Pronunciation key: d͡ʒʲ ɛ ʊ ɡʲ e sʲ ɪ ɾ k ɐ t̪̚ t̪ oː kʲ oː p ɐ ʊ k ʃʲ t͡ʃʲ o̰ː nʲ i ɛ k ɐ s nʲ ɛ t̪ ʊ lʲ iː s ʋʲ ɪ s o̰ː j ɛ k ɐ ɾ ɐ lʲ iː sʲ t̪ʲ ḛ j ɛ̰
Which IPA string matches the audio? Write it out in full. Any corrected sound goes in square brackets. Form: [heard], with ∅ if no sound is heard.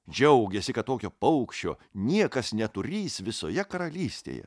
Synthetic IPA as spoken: d͡ʒʲ ɛ ʊ ɡʲ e sʲ ɪ [∅] k ɐ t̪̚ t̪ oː kʲ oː p ɐ ʊ k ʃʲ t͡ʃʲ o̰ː nʲ i ɛ k ɐ s nʲ ɛ t̪ ʊ [ɾʲ] iː s ʋʲ ɪ s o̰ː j ɛ k ɐ ɾ ɐ lʲ iː sʲ t̪ʲ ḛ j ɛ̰